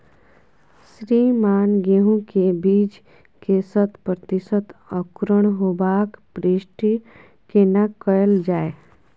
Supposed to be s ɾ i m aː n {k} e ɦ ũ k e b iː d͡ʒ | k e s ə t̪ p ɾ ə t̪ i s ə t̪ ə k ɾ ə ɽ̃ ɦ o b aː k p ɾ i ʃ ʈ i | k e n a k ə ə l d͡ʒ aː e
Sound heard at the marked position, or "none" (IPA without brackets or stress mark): ɡ